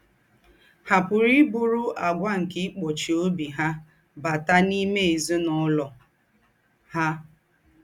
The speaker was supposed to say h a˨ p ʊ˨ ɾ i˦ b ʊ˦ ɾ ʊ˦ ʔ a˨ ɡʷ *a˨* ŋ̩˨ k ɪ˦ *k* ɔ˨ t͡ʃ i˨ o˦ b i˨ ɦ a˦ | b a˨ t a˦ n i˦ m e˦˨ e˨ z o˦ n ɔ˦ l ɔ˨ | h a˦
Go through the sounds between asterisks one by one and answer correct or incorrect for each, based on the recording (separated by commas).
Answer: incorrect, incorrect